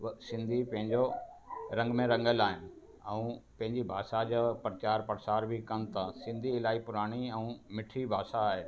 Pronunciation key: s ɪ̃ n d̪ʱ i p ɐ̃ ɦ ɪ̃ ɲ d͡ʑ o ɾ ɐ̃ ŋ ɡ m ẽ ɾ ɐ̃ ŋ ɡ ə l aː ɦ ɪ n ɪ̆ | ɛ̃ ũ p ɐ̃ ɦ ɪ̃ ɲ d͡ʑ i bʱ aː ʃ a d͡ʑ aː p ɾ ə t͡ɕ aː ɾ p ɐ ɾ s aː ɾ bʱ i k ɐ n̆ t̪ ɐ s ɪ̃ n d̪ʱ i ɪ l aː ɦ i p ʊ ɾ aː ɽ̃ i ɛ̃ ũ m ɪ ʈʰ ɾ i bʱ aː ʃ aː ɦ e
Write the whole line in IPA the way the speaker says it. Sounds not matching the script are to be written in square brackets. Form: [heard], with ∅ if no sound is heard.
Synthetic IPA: s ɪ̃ n d̪ʱ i p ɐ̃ ɦ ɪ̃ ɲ d͡ʑ o ɾ ɐ̃ ŋ ɡ m ẽ ɾ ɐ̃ ŋ ɡ ə l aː ɦ ɪ n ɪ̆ | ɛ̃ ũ p ɐ̃ ɦ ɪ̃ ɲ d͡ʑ i bʱ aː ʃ a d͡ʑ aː p ɾ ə t͡ɕ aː ɾ p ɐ ɾ s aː ɾ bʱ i k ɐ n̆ t̪ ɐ s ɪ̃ n d̪ʱ i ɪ l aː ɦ i p ʊ ɾ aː ɽ̃ i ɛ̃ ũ m ɪ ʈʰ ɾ i bʱ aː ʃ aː ɦ e

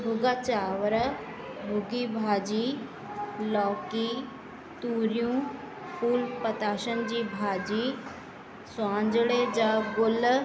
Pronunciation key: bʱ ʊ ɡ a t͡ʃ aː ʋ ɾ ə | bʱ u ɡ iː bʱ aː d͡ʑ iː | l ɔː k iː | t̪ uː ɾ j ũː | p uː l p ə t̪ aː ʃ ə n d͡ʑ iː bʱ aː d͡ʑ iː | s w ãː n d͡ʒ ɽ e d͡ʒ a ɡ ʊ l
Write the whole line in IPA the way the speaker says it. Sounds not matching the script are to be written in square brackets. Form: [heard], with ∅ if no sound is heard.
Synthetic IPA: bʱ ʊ ɡ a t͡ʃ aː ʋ ɾ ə | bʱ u ɡ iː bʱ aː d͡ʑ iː | l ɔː k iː | t̪ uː ɾ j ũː | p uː l p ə t̪ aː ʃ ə n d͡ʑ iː bʱ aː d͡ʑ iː | s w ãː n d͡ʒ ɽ e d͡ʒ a ɡ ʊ l

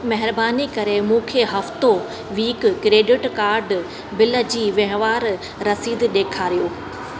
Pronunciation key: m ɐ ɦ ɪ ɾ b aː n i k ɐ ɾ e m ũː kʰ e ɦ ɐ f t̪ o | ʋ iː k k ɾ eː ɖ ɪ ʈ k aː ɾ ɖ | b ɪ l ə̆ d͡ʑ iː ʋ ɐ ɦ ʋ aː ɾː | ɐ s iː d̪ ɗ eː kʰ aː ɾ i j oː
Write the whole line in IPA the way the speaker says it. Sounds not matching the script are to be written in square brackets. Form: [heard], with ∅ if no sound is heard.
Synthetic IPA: m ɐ ɦ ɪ ɾ b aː n i k ɐ ɾ e m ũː kʰ e ɦ ɐ f t̪ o | ʋ iː k k ɾ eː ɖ ɪ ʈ k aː ɾ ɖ | b ɪ l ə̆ d͡ʑ iː ʋ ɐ ɦ ʋ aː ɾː | ɐ s iː d̪ ɗ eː kʰ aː ɾ i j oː

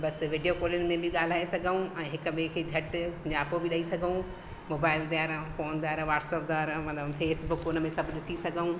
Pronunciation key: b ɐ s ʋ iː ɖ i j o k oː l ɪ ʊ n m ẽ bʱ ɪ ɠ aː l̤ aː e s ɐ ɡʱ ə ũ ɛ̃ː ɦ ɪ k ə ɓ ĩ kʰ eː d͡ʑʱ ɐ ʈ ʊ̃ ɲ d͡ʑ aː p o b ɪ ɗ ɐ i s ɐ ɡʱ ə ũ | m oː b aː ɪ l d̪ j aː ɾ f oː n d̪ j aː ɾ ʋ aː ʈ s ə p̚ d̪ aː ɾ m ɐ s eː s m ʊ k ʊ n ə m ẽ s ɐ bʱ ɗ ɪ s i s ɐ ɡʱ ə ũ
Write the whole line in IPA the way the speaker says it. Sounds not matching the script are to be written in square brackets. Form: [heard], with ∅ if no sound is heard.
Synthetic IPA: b ɐ s ʋ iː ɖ i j o k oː l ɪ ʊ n m ẽ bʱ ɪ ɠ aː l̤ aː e s ɐ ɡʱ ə ũ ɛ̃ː ɦ ɪ k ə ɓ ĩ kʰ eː d͡ʑʱ ɐ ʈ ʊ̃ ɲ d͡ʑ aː p o b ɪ ɗ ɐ i s ɐ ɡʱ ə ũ | m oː b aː ɪ l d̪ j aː ɾ f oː n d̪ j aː ɾ ʋ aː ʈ s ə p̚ d̪ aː ɾ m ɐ [f] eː s [b] ʊ k ʊ n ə m ẽ s ɐ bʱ ɗ ɪ s i s ɐ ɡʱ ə ũ

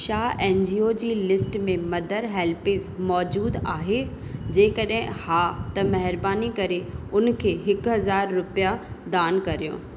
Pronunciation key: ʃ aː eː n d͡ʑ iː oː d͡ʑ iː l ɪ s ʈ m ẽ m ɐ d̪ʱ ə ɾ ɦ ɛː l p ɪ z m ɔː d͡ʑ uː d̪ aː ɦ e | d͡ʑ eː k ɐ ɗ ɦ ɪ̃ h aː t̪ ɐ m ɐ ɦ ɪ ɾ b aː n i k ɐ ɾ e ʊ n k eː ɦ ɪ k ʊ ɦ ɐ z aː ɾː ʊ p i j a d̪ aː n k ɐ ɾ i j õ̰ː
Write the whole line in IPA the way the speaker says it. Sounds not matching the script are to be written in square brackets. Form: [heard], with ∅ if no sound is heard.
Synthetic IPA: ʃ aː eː n d͡ʑ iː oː d͡ʑ iː l ɪ s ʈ m ẽ m ɐ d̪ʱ ə ɾ ɦ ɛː l p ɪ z m ɔː d͡ʑ uː d̪ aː ɦ e | d͡ʑ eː k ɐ ɗ ɦ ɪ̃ h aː t̪ ɐ m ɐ ɦ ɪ ɾ b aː n i k ɐ ɾ e ʊ n [kʰ] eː ɦ ɪ k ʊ ɦ ɐ z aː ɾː ʊ p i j a d̪ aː n k ɐ ɾ i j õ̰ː

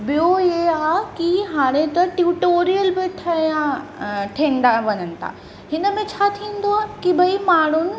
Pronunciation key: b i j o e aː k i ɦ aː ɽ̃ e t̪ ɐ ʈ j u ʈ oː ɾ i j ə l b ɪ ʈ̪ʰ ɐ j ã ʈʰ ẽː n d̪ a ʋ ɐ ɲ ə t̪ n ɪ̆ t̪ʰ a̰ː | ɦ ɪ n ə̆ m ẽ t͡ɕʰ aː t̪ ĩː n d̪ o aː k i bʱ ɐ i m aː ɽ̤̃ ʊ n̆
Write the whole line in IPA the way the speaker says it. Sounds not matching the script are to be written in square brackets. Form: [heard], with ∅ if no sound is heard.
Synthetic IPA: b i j o e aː k i ɦ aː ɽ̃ e t̪ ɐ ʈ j u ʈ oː ɾ i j ə l b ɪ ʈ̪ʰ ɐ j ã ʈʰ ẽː n d̪ a ʋ ɐ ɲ ə [∅] n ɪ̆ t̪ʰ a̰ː | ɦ ɪ n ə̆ m ẽ t͡ɕʰ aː [t̪ʰ] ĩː n d̪ o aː k i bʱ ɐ i m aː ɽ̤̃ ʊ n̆

